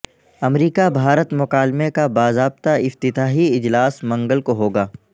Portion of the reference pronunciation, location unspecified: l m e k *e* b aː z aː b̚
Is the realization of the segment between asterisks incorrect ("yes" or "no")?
yes